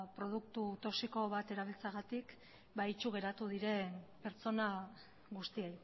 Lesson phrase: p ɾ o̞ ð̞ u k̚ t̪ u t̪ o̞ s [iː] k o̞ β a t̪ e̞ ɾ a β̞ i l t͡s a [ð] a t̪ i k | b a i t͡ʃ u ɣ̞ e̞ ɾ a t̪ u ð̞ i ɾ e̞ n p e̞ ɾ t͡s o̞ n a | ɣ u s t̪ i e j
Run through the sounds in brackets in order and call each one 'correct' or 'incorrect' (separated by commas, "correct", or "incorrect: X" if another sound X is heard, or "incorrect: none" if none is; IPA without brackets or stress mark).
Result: incorrect: i, incorrect: ɣ